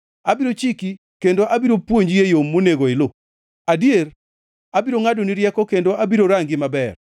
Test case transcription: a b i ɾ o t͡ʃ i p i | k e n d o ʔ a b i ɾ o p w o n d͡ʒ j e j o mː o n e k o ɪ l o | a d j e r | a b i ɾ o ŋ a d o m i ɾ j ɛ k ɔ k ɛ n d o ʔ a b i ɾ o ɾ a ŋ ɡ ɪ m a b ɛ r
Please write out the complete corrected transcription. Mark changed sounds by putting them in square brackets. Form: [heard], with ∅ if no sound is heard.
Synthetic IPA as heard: a b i ɾ o t͡ʃ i [k] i | k e n d o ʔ a b i ɾ o p w o [ɲ] d͡ʒ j e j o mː o n e [ɡ] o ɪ l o | a d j e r | a b i ɾ o ŋ a d o [n] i ɾ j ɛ k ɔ k [e] n d o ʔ a b i ɾ o ɾ a ŋ ɡ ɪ m a b ɛ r